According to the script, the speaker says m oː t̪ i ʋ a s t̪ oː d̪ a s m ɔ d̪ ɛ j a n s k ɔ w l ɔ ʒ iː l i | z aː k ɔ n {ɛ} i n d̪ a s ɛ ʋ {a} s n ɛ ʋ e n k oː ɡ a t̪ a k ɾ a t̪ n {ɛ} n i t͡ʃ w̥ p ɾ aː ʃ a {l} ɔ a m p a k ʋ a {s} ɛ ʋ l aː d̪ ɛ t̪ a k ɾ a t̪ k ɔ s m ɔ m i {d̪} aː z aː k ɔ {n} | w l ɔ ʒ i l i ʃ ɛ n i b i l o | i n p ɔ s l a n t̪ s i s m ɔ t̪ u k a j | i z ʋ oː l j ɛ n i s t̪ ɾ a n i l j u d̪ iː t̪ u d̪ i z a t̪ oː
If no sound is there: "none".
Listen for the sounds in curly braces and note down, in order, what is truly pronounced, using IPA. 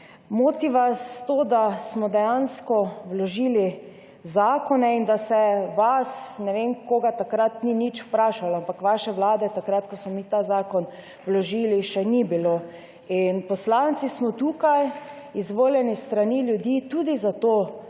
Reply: ɛ, a, i, l, ʃ, t̪, n

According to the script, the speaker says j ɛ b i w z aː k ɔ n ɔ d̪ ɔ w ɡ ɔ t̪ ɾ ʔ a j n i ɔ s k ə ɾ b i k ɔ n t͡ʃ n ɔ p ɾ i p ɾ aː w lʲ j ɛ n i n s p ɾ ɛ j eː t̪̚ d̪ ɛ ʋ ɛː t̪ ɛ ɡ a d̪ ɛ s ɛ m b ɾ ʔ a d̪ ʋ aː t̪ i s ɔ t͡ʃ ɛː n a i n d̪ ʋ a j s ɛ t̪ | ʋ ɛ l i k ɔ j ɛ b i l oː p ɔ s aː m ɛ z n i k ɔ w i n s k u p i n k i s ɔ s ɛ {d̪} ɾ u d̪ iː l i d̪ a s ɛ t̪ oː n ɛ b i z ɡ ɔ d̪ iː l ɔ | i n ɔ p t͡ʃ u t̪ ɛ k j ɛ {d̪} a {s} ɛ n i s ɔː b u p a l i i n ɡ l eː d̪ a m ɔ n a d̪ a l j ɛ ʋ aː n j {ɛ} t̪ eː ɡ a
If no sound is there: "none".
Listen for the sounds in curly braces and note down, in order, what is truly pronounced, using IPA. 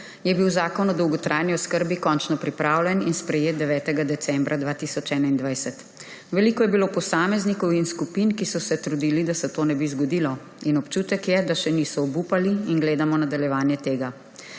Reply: t̪, d̪, ʃ, ɛ

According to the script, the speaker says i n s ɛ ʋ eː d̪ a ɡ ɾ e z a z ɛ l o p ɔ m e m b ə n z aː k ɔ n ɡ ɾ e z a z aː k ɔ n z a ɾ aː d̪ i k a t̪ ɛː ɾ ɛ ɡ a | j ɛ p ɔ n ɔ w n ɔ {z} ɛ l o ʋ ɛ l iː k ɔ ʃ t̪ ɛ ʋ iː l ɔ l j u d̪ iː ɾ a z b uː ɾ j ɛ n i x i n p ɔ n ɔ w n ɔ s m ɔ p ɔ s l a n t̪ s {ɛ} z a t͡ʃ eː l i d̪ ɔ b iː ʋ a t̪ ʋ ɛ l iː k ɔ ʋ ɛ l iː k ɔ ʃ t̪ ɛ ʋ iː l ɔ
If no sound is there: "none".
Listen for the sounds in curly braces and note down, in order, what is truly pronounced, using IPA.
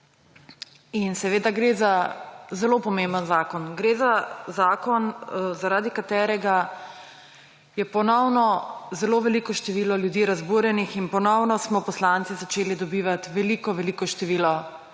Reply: z, i

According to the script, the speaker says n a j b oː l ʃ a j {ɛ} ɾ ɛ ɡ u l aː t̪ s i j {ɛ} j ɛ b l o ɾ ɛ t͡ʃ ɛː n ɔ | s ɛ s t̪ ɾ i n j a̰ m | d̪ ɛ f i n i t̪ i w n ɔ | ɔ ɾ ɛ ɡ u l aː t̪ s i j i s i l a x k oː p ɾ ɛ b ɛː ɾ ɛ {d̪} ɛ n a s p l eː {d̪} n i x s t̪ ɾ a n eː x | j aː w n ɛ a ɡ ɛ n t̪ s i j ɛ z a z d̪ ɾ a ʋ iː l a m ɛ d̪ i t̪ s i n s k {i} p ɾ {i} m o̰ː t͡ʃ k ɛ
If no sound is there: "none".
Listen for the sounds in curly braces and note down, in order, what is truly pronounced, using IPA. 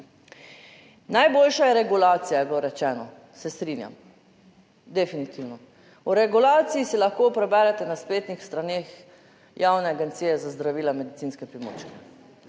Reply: ɛ, a, t̪, t̪, ɛ, i

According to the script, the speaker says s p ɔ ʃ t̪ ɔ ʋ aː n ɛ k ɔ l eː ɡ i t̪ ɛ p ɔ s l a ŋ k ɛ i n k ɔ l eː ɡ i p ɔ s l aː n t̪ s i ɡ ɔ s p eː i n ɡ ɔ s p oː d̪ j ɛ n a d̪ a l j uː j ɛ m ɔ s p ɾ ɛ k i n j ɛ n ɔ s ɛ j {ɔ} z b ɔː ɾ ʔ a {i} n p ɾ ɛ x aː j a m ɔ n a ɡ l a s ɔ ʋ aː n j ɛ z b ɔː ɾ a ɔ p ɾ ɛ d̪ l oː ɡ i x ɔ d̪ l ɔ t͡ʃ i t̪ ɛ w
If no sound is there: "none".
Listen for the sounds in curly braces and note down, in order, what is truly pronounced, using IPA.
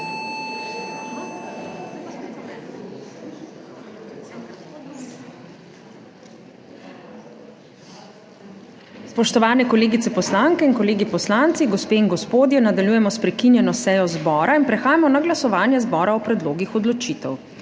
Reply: ɔ, i

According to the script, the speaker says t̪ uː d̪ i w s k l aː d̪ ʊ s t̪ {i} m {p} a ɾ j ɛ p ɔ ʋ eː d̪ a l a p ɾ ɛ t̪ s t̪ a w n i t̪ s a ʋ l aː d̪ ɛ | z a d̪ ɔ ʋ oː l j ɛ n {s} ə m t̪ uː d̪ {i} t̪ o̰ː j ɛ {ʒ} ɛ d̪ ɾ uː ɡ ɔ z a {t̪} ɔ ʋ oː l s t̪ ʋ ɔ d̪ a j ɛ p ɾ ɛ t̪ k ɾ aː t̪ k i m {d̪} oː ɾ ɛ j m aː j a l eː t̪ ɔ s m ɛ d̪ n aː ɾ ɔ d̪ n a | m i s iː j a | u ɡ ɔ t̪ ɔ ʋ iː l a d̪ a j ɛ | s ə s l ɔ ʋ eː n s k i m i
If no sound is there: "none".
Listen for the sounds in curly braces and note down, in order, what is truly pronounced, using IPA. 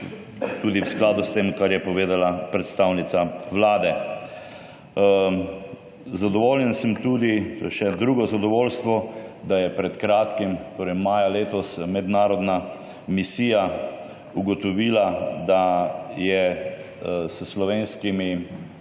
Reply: e, k, s, i, ʃ, d̪, t̪

